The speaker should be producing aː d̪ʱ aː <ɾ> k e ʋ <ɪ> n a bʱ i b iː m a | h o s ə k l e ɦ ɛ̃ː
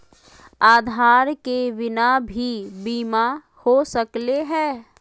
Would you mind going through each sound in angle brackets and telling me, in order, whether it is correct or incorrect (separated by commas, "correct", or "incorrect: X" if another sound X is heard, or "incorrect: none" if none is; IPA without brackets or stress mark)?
correct, correct